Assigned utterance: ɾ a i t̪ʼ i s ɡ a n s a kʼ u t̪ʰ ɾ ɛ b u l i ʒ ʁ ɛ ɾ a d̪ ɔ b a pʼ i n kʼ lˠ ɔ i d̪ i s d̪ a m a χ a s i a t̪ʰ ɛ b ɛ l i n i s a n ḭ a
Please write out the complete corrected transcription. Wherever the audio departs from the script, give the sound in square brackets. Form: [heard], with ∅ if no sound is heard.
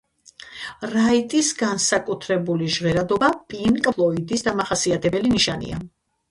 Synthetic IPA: ɾ a i t̪ʼ i s ɡ a n s a kʼ u t̪ʰ ɾ ɛ b u l i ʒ ʁ ɛ ɾ a d̪ ɔ b a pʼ i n kʼ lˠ ɔ i d̪ i s d̪ a m a χ a s i a t̪ʰ ɛ b ɛ l i n i [ʃ] a n ḭ a